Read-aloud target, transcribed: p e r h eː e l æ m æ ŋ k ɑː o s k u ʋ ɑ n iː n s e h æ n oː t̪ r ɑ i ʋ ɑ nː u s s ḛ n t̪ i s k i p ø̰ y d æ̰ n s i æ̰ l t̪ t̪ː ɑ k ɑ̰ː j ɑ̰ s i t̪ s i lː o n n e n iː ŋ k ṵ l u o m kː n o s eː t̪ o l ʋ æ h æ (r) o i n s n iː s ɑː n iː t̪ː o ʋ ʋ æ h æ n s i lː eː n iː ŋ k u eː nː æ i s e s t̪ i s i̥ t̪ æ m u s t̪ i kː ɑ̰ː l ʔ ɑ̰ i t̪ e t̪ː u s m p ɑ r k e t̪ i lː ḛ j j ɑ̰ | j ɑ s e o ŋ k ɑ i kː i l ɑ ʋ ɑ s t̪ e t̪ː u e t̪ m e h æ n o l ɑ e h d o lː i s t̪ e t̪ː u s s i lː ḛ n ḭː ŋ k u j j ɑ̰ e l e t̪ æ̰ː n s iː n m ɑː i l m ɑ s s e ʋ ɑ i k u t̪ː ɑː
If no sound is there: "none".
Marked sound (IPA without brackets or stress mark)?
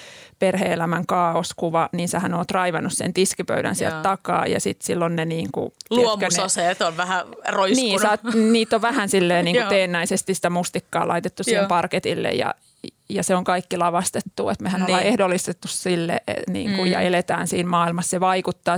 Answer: r